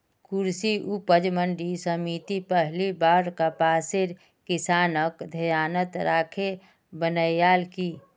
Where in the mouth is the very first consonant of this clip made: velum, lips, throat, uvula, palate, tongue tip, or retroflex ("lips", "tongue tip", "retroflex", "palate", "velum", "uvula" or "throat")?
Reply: velum